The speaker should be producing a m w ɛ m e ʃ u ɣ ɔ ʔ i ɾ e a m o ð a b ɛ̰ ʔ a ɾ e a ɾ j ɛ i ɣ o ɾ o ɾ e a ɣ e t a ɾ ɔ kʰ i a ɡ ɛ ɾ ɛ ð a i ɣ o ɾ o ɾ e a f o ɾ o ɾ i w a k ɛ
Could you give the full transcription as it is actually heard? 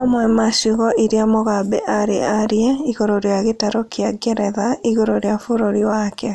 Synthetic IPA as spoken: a m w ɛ m a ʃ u ɣ ɔ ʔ i ɾ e a m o ɣ a b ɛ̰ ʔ a ɾ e a ɾ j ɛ i ɣ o ɾ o ɾ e a ɣ e t a ɾ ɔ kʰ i a ɡ ɛ ɾ ɛ ð a i ɣ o ɾ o ɾ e a f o ɾ o ɾ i w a k ɛ